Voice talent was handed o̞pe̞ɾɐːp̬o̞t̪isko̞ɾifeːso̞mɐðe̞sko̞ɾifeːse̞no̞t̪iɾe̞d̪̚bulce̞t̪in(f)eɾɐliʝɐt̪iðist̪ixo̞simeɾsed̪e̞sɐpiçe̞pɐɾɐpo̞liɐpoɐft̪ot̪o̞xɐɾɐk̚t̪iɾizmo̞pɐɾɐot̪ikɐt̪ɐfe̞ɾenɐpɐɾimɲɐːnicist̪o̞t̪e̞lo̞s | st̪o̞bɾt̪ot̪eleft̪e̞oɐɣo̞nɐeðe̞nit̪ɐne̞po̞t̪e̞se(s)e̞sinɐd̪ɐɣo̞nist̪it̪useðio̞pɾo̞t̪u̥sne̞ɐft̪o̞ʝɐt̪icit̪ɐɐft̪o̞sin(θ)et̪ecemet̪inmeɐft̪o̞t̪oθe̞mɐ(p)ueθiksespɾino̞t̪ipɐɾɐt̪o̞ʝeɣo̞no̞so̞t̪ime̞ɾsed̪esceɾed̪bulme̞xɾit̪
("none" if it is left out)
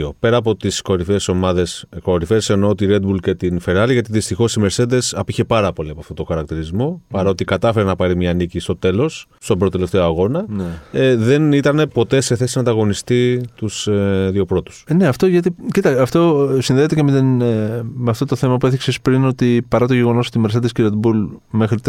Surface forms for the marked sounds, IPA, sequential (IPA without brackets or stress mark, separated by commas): f, θ, ð, p